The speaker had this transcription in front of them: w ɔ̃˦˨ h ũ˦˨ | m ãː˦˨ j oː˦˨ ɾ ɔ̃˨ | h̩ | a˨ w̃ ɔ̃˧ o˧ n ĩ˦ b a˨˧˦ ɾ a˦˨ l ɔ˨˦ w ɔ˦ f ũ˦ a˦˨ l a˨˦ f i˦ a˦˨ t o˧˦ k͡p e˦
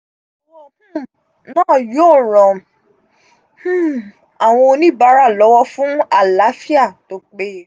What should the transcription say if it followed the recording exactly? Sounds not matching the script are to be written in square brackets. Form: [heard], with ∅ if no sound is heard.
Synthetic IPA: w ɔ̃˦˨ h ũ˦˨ | [n] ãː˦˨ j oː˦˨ ɾ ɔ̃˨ | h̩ | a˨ w̃ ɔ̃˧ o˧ n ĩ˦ b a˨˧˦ ɾ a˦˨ l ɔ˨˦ w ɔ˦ f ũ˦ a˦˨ l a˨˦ f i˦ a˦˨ t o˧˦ k͡p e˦

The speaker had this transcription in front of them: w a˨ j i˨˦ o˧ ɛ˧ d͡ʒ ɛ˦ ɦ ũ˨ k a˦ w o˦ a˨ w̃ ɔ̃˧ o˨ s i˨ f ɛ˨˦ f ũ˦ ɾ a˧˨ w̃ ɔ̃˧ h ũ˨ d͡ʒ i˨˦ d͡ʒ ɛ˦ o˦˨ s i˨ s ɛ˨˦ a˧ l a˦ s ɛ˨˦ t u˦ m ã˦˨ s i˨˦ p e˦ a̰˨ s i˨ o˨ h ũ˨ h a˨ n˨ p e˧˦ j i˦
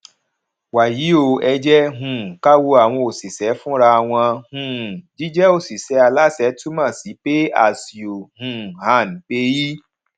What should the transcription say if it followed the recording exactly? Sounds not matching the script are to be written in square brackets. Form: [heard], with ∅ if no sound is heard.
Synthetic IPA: w a˨ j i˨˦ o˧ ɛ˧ d͡ʒ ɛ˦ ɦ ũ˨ k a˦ w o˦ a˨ w̃ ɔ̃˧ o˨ s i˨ [s] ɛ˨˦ f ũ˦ ɾ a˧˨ w̃ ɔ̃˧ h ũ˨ d͡ʒ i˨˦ d͡ʒ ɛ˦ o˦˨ s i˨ s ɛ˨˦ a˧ l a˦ s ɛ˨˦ t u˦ m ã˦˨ s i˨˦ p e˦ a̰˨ s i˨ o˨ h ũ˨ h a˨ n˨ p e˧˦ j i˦

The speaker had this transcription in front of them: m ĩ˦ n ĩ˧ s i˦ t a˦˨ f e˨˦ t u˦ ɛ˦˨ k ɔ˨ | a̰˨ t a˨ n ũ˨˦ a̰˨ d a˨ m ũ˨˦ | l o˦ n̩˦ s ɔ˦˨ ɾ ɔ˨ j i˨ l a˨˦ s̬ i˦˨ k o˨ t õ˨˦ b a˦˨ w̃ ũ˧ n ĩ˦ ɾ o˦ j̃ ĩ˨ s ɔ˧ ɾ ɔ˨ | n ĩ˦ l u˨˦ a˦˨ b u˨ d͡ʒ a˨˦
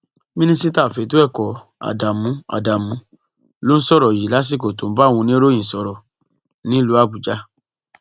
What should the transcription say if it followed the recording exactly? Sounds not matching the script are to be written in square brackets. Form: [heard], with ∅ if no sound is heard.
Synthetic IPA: m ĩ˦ n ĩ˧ s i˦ t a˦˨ f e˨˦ t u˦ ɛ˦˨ k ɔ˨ | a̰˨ [d] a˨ [m] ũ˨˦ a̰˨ d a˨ m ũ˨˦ | l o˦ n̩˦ s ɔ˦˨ ɾ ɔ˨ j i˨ l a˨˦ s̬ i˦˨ k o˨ t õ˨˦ b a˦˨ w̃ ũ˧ n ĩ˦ ɾ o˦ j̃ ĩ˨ s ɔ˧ ɾ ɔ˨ | n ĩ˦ l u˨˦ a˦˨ b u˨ d͡ʒ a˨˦

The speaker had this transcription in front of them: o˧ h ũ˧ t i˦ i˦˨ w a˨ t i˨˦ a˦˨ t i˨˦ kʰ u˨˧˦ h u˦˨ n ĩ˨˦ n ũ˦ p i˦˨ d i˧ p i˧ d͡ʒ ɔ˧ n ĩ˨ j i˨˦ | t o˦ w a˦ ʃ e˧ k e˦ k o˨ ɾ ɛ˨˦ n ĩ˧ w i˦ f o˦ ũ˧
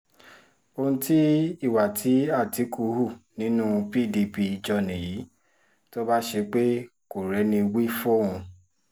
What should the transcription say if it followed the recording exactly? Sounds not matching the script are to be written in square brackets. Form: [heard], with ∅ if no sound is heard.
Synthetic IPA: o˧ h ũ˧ t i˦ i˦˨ w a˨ t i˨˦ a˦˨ t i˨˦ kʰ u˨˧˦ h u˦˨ n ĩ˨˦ n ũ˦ p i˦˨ d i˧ p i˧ d͡ʒ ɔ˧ n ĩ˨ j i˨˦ | t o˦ [b] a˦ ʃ e˧ [k͡p] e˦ k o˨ ɾ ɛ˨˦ n ĩ˧ w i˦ f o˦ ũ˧

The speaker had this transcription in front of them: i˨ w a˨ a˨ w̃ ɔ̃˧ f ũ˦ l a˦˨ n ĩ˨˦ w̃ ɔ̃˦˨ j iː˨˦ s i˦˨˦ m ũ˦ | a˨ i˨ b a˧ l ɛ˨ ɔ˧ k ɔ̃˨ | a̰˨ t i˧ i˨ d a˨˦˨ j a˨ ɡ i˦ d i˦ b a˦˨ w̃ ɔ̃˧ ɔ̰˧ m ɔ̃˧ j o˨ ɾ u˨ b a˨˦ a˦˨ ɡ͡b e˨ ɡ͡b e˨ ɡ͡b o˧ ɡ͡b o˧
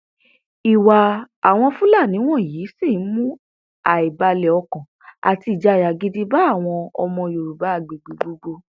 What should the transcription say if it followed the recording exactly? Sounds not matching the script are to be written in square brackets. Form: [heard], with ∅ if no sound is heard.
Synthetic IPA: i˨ w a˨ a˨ w̃ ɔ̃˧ f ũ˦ l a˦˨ n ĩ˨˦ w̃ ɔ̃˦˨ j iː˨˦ s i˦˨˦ m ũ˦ | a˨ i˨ b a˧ l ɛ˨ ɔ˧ k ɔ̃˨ | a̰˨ t i˧ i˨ [d͡ʒ] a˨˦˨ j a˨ ɡ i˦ d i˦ b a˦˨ w̃ ɔ̃˧ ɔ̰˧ m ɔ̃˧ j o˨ ɾ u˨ b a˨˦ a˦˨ ɡ͡b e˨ ɡ͡b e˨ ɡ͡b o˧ ɡ͡b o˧

